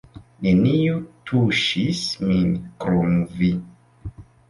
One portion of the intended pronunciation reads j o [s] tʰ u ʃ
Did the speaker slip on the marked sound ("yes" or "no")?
yes